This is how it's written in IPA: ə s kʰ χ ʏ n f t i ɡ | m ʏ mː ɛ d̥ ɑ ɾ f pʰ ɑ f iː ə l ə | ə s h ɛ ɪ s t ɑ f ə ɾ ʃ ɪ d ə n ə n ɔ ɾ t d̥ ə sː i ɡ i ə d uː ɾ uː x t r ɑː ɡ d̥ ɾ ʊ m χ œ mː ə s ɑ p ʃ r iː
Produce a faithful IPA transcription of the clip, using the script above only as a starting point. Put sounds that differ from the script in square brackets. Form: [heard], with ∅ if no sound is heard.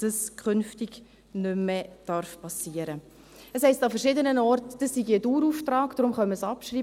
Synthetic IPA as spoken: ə s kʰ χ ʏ n f t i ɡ | [n] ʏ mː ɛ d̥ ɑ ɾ f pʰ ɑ [s] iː ə [ɾ] ə | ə s h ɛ ɪ s t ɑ f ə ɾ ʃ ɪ d ə n ə n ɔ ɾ t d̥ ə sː i ɡ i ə d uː ɾ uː [f] t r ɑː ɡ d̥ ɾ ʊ m χ œ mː ə s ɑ p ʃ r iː